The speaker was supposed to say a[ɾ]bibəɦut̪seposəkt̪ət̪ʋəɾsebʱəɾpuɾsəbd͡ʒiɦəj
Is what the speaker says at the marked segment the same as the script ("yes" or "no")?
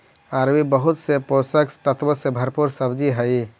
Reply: yes